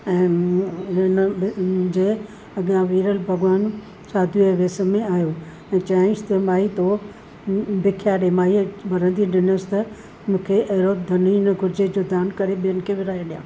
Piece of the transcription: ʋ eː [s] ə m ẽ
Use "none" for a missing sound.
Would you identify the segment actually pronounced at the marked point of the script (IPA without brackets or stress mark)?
s